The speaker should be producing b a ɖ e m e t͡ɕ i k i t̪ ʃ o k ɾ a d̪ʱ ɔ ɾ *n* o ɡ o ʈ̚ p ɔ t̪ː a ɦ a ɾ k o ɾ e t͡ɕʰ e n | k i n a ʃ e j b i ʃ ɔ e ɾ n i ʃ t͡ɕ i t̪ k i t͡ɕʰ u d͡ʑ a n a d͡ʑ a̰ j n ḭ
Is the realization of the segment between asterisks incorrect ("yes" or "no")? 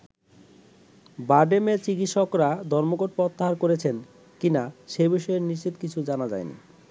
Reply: yes